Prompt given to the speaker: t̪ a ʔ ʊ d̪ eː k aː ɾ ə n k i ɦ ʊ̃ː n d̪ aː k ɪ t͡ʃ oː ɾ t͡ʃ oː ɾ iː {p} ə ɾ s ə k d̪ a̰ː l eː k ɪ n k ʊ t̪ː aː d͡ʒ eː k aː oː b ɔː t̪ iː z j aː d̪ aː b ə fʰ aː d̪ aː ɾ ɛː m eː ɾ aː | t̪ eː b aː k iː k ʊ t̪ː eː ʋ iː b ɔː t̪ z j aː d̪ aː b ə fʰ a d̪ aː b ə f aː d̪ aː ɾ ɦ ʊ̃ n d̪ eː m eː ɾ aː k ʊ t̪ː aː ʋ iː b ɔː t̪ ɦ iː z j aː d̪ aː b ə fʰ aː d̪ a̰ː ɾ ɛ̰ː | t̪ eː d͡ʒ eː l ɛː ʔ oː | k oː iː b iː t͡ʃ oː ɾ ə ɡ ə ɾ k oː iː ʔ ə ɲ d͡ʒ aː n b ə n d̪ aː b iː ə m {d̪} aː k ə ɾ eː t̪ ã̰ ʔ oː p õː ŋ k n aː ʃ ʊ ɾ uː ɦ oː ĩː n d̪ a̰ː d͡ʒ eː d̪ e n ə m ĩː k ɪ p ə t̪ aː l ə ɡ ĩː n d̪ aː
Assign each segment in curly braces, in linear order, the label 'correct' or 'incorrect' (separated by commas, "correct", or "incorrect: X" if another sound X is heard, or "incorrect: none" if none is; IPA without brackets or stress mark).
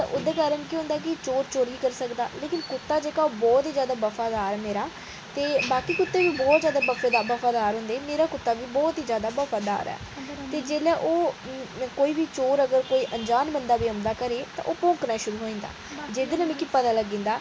incorrect: k, correct